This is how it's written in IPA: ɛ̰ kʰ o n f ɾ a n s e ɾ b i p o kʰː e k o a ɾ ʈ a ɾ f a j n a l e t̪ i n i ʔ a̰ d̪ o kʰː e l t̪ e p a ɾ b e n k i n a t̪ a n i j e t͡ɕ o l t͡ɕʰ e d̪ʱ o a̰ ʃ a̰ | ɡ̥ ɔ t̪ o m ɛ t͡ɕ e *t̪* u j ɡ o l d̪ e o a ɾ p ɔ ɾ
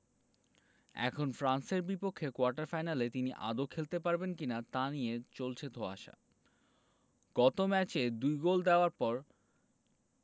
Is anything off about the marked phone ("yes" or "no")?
yes